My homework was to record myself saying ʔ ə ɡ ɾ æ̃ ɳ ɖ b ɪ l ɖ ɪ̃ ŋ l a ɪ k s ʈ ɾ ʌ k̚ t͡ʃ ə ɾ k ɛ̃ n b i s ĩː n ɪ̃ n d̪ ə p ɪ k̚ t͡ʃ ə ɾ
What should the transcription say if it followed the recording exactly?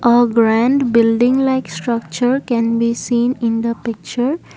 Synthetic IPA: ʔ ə ɡ ɾ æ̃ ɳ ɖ b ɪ l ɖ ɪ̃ ŋ l a ɪ k s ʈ ɾ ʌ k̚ t͡ʃ ə ɾ k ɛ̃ n b i s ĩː n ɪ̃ n d̪ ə p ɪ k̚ t͡ʃ ə ɾ